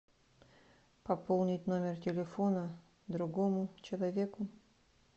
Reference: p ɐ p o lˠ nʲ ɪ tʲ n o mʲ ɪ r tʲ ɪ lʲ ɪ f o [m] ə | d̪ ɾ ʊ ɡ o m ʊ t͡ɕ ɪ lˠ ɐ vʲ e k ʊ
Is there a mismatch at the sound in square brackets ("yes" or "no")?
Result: yes